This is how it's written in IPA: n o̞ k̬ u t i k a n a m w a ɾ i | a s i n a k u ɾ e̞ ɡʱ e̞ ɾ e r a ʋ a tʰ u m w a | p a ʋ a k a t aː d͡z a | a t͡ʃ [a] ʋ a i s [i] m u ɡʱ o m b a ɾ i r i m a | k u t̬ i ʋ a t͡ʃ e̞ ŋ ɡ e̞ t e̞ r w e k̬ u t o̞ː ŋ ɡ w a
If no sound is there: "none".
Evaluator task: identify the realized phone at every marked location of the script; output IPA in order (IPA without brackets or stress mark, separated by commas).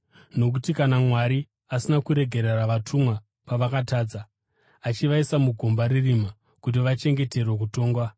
i, a